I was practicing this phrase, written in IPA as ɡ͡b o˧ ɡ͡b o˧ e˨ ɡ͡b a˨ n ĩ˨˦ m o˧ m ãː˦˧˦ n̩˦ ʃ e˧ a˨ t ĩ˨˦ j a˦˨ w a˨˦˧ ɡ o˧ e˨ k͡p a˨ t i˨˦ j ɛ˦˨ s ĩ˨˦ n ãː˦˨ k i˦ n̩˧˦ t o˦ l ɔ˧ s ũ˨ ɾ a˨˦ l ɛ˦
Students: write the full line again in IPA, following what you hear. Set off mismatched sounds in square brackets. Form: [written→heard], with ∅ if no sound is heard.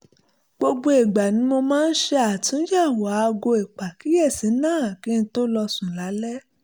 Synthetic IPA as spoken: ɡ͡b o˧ ɡ͡b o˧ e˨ ɡ͡b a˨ n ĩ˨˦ m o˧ m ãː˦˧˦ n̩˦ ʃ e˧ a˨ t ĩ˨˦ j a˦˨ w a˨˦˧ ɡ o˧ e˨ k͡p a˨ [t→k] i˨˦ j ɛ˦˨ s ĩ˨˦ n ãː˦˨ k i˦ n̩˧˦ t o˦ l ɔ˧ s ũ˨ [ɾ→l] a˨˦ l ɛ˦